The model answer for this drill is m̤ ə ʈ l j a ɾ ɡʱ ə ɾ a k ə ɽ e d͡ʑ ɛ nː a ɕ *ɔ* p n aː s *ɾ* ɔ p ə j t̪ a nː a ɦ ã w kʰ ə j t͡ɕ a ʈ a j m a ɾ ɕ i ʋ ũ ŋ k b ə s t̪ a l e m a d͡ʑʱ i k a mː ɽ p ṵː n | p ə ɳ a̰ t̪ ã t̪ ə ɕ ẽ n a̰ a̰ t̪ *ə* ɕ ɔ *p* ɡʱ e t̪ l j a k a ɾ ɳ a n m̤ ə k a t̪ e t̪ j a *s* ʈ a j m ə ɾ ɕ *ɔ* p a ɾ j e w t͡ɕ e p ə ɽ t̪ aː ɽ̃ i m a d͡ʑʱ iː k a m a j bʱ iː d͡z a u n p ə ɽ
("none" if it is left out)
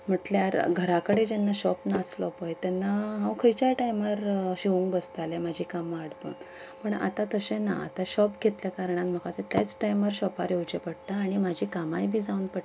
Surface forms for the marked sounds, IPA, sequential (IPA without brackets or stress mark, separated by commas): ɔ, l, a, p, t͡s, ɔ